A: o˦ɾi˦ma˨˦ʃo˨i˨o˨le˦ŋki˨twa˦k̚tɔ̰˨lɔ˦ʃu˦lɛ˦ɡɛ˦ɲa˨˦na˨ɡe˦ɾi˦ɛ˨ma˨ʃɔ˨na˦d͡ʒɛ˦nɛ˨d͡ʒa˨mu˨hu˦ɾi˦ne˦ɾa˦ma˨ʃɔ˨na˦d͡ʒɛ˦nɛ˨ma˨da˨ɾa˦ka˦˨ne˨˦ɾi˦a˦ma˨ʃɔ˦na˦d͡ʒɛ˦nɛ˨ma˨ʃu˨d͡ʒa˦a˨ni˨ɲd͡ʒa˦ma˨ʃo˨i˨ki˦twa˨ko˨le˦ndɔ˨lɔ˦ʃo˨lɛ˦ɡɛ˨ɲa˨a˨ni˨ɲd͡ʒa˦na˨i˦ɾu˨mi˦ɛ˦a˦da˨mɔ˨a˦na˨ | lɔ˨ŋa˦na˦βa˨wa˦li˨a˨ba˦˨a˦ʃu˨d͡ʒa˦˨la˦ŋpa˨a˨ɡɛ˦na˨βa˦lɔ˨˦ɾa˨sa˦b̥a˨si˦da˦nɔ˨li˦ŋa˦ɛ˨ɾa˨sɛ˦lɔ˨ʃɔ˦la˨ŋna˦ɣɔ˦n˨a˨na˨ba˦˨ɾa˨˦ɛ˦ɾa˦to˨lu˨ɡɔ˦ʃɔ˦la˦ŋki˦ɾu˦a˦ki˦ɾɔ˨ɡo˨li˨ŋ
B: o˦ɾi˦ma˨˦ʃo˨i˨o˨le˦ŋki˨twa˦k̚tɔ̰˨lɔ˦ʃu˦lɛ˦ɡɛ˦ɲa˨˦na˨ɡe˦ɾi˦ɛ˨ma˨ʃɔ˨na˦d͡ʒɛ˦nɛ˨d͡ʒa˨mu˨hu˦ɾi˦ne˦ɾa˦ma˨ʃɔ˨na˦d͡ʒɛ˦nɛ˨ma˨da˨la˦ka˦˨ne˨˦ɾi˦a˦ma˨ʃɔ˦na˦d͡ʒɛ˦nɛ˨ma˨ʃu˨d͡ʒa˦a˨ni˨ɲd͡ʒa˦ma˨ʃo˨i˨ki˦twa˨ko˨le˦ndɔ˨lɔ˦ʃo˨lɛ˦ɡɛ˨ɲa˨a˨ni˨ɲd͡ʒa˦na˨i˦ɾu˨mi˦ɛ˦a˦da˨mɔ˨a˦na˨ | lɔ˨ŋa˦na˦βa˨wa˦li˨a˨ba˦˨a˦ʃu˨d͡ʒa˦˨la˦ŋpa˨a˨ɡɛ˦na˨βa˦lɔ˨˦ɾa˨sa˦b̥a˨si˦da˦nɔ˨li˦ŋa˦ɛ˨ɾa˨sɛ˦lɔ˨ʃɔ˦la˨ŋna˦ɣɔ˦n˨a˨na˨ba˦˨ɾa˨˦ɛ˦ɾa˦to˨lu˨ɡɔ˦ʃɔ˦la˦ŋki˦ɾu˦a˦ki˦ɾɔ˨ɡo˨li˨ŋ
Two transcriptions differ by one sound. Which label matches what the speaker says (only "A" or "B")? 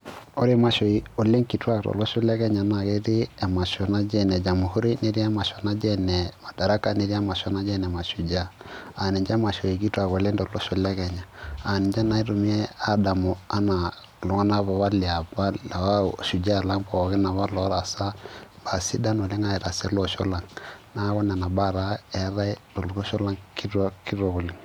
A